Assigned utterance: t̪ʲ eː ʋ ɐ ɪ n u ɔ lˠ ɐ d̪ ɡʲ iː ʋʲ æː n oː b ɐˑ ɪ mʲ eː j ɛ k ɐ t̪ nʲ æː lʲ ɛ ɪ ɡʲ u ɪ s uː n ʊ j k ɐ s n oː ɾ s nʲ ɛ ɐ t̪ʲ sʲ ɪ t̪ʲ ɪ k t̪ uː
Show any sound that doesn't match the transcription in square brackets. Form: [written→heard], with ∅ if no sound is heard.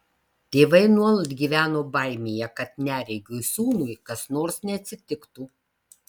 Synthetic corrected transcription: t̪ʲ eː ʋ ɐ ɪ n u ɔ lˠ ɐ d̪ ɡʲ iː ʋʲ æː n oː b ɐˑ ɪ mʲ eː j ɛ k ɐ t̪ nʲ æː [lʲ→ɾʲ] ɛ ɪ ɡʲ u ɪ s uː n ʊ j k ɐ s n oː ɾ s nʲ ɛ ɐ t̪ʲ sʲ ɪ t̪ʲ ɪ k t̪ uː